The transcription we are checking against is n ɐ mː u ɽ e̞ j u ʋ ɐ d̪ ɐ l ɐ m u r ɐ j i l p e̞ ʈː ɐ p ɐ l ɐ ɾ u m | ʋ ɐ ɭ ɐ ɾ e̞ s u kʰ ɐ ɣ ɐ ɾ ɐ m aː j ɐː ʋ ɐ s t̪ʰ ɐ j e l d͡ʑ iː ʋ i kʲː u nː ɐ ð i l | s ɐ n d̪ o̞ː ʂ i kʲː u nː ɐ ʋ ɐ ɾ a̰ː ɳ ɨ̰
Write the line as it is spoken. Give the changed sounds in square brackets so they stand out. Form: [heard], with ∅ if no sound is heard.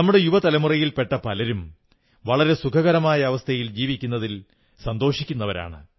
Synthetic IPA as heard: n ɐ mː u ɽ e̞ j u ʋ ɐ [t̪] ɐ l ɐ m u r ɐ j i l p e̞ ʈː ɐ p ɐ l ɐ ɾ u m | ʋ ɐ ɭ ɐ ɾ e̞ s u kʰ ɐ ɣ ɐ ɾ ɐ m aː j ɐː ʋ ɐ s t̪ʰ ɐ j [i] l d͡ʑ iː ʋ i kʲː u nː ɐ ð i l | s ɐ n d̪ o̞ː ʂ i kʲː u nː ɐ ʋ ɐ ɾ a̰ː ɳ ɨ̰